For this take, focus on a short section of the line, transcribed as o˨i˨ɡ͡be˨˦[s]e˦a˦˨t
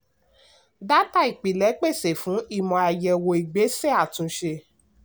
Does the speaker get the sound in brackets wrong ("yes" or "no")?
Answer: no